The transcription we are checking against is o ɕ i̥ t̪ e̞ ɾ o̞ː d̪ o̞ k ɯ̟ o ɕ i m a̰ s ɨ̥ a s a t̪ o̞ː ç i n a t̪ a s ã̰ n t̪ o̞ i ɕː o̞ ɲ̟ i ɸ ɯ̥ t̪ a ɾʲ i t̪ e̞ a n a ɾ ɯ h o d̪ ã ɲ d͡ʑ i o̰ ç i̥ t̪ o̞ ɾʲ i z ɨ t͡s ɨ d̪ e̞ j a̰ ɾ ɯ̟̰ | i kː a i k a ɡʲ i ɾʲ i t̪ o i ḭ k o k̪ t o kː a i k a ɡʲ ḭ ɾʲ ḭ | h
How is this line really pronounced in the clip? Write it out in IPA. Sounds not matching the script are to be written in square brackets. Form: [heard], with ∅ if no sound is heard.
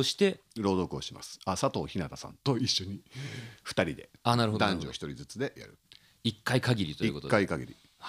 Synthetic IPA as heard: o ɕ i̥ t̪ e̞ ɾ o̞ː d̪ o̞ k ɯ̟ o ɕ i m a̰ s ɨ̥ a s a t̪ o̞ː ç i n a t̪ a s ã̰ n t̪ o̞ i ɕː o̞ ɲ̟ i ɸ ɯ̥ t̪ a ɾʲ i [d̪] e̞ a n a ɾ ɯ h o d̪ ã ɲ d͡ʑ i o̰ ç i̥ t̪ o̞ ɾʲ i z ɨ t͡s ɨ d̪ e̞ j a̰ ɾ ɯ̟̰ | i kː a i k a ɡʲ i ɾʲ i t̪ o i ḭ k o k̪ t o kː a i k a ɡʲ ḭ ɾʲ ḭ | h